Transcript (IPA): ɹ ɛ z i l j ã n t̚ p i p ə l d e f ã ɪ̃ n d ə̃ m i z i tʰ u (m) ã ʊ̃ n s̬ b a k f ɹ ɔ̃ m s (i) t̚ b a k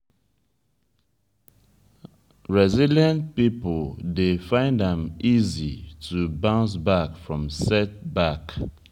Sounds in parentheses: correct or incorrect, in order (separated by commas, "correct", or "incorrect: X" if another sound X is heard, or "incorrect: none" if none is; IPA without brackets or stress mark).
incorrect: b, incorrect: ɛ